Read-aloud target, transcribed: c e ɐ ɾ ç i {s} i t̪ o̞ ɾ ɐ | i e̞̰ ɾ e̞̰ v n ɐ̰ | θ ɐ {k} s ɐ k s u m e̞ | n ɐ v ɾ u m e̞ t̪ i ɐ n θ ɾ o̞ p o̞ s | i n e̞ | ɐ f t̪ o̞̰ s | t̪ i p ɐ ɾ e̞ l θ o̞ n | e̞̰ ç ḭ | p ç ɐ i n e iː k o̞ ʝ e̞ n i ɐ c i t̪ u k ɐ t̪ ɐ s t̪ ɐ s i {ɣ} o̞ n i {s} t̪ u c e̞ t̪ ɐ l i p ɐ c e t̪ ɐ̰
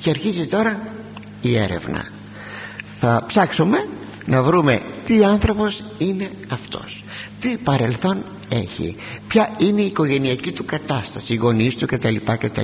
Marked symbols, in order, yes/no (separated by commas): no, no, yes, yes